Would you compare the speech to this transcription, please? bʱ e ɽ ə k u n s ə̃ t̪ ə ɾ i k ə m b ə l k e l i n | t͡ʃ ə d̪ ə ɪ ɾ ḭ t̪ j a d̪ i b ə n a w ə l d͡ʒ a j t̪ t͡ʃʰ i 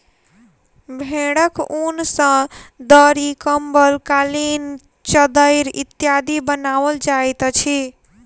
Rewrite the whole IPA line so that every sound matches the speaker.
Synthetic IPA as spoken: bʱ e ɽ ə k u n s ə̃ d̪ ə ɾ i k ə m b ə l k a l i n | t͡ʃ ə d̪ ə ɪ ɾ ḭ t̪ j a d̪ i b ə n a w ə l d͡ʒ a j t̪ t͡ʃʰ i